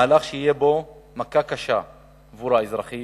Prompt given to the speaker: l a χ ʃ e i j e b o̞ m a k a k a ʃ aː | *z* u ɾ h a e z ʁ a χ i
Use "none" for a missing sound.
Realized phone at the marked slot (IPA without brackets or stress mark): v